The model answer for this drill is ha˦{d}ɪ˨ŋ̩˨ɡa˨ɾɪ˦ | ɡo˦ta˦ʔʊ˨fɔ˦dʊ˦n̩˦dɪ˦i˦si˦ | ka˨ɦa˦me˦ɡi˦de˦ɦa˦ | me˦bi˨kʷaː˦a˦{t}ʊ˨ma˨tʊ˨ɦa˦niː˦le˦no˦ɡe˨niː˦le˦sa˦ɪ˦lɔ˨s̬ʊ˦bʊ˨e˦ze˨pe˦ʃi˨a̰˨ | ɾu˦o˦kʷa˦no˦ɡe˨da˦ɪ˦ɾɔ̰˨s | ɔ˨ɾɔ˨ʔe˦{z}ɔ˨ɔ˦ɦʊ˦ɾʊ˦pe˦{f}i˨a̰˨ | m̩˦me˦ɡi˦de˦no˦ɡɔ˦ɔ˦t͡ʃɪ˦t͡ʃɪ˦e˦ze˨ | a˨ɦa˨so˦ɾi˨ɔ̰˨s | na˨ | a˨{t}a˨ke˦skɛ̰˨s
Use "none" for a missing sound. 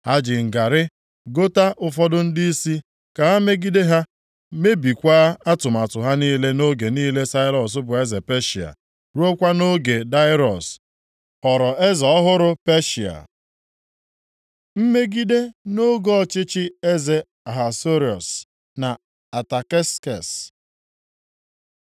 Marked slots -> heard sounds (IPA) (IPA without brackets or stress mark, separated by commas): d͡ʒ, t, z, ʃ, t